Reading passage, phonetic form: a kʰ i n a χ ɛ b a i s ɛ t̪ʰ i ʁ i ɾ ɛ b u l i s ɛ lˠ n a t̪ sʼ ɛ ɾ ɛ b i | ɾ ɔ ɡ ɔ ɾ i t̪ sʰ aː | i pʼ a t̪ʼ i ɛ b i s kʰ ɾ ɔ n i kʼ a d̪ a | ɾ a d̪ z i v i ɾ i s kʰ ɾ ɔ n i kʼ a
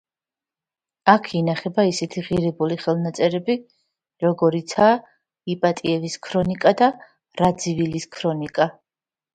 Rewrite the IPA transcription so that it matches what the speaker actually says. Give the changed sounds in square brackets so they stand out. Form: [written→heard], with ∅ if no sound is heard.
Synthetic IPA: a kʰ i n a χ ɛ b a i s ɛ t̪ʰ i ʁ i ɾ ɛ b u l i [s→χ] ɛ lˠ n a t̪ sʼ ɛ ɾ ɛ b i | ɾ ɔ ɡ ɔ ɾ i t̪ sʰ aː | i pʼ a t̪ʼ i ɛ [b→v] i s kʰ ɾ ɔ n i kʼ a d̪ a | ɾ a d̪ z i v i [ɾ→l] i s kʰ ɾ ɔ n i kʼ a